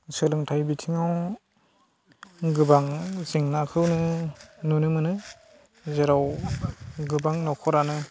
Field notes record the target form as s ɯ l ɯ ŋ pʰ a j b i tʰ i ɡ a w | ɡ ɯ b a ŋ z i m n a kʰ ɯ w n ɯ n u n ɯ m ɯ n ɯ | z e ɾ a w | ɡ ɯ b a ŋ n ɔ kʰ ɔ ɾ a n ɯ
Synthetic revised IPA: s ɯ l ɯ ŋ tʰ a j b i tʰ i ŋ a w | ɡ ɯ b a ŋ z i ŋ n a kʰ ɯ w n ɯ n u n ɯ m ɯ n ɯ | z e ɾ a w | ɡ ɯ b a ŋ n ɔ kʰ ɔ ɾ a n ɯ

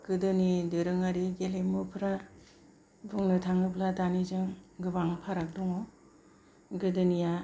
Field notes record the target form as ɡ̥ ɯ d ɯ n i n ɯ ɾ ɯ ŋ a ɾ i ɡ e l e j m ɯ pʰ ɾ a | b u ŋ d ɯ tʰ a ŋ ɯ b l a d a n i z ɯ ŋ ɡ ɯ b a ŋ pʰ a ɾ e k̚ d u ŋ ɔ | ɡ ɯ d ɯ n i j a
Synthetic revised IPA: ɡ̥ ɯ d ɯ n i d ɯ ɾ ɯ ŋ a ɾ i ɡ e l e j m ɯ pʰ ɾ a | b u ŋ n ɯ tʰ a ŋ ɯ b l a d a n i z ɯ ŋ ɡ ɯ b a ŋ pʰ a ɾ a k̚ d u ŋ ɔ | ɡ ɯ d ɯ n i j a

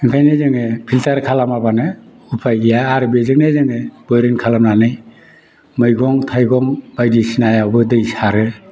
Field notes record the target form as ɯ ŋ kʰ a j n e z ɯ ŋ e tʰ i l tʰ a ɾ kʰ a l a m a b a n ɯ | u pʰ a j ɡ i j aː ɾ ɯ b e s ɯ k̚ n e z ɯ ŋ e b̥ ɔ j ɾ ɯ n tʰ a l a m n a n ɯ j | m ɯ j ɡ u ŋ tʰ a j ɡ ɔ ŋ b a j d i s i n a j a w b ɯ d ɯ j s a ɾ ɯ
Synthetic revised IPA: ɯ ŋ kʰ a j n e z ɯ ŋ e pʰ i l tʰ a ɾ kʰ a l a m a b a n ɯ | u pʰ a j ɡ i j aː ɾ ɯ b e z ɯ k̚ n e z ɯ ŋ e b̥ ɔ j ɾ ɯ n kʰ a l a m n a n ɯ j | m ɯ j ɡ ɔ ŋ tʰ a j ɡ ɔ ŋ b a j d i s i n a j a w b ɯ d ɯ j s a ɾ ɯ

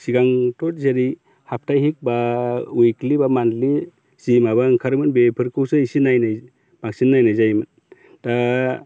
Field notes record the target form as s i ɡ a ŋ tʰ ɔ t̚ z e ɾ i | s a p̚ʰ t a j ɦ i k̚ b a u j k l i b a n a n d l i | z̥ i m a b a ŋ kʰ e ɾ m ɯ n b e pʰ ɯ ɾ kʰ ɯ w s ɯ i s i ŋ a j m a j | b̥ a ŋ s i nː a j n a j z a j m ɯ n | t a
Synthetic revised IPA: s i ɡ a ŋ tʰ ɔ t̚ z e ɾ i | h a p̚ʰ t a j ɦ i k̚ b a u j k l i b a m a n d l i | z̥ i m a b a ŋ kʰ a ɾ m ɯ n b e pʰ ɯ ɾ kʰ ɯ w s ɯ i s i n a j n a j | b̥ a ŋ s i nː a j n a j z a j m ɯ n | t a

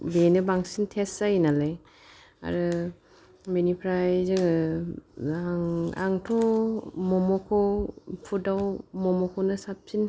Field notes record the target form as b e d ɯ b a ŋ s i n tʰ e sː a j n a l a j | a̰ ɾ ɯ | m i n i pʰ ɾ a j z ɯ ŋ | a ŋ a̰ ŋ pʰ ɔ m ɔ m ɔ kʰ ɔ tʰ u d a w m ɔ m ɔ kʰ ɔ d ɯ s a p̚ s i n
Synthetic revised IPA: b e n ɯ b a ŋ s i n tʰ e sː a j n a l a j | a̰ ɾ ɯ | m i n i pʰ ɾ a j z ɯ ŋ | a ŋ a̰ ŋ tʰ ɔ m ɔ m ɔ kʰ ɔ pʰ u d a w m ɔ m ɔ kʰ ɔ n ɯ s a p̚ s i n

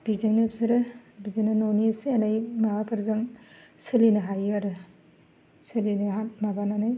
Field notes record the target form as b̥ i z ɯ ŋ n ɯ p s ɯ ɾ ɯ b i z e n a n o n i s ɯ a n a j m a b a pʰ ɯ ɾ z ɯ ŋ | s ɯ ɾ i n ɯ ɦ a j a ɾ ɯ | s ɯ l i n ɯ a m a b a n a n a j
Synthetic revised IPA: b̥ i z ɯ ŋ n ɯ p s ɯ ɾ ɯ b i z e n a n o n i s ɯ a n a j m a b a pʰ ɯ ɾ z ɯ ŋ | s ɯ l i n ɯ ɦ a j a ɾ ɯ | s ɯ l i n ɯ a m a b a n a n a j

